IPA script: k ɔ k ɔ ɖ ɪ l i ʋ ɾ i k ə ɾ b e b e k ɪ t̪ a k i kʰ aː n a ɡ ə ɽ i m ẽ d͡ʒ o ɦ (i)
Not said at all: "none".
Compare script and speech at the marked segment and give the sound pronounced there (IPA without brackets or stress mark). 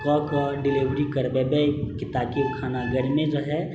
ɛ